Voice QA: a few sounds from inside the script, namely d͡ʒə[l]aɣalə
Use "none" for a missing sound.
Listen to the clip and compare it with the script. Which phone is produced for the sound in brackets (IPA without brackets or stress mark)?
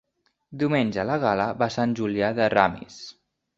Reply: l